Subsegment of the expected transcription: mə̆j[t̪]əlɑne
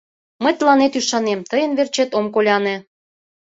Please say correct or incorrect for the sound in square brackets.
correct